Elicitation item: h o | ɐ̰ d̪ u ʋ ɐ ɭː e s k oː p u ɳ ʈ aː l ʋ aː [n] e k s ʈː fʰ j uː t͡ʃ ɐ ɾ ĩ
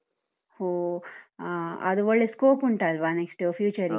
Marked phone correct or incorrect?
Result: correct